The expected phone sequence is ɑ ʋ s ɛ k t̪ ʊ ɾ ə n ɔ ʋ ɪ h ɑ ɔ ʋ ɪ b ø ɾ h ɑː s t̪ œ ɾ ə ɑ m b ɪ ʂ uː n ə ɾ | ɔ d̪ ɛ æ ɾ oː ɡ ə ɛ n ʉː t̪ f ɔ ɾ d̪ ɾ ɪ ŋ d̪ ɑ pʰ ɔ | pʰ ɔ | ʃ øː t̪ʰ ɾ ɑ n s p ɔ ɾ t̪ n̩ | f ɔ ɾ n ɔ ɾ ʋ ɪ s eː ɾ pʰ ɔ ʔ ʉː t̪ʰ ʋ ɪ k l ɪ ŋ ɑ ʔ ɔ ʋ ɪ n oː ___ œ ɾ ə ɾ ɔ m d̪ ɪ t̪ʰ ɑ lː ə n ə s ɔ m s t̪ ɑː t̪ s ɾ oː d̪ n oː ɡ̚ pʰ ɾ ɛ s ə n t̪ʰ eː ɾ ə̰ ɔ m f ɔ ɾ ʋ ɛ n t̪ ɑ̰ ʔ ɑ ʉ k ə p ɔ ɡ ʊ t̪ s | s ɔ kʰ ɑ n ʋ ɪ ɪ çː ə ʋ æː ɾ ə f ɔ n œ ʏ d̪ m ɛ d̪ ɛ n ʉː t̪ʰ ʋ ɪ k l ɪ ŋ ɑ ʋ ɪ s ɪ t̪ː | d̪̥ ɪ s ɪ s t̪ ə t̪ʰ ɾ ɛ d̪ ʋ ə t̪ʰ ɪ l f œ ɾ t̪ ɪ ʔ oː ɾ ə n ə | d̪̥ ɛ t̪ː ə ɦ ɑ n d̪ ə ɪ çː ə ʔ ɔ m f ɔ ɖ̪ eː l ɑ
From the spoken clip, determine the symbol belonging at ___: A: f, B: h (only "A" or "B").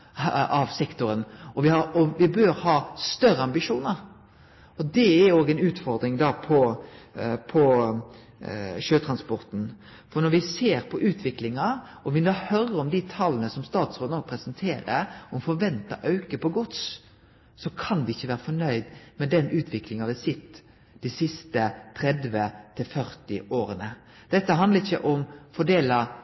B